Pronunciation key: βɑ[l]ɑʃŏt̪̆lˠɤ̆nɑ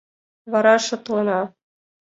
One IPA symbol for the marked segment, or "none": ɾ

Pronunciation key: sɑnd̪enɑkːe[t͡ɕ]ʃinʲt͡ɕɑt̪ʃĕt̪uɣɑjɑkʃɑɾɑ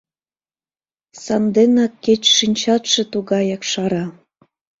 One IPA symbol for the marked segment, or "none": t͡ɕ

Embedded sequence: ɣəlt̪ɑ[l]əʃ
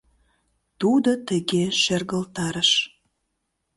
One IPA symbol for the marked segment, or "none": ɾ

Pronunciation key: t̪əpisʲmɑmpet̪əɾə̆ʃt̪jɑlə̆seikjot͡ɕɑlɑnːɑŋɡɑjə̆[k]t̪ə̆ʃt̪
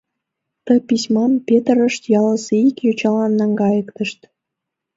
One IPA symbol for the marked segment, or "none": k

